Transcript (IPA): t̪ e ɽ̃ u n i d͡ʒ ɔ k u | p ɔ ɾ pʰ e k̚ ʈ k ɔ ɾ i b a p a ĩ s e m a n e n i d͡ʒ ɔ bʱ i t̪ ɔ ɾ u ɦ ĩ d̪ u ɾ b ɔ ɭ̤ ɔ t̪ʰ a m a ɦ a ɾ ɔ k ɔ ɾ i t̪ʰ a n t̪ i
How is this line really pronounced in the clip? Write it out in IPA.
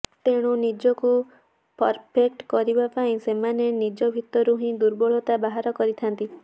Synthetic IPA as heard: t̪ e ɽ̃ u n i d͡ʒ ɔ k u | p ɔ ɾ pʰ e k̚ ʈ k ɔ ɾ i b a p a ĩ s e m a n e n i d͡ʒ ɔ bʱ i t̪ ɔ ɾ u ɦ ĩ d̪ u ɾ b ɔ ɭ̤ ɔ t̪ a b a ɦ a ɾ ɔ k ɔ ɾ i t̪ʰ a n t̪ i